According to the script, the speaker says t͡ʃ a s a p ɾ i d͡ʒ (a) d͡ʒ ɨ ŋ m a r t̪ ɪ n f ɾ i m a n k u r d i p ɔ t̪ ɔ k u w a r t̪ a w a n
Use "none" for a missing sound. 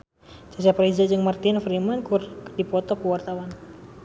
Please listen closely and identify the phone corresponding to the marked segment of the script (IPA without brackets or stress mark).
a